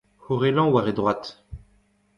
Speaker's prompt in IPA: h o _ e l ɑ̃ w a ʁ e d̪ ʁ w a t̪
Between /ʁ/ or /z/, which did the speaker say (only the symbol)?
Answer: ʁ